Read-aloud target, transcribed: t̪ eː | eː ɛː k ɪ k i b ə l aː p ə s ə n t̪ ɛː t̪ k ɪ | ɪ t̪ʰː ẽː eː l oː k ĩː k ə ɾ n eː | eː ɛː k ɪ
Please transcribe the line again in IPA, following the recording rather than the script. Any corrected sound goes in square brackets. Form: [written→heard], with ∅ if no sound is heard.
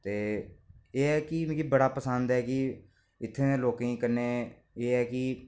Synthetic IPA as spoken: t̪ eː | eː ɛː k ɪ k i b ə [l→ɽ] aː p ə s ə n [t̪→d̪] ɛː [t̪→∅] k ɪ | ɪ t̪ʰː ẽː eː l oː k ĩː k ə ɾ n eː | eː ɛː k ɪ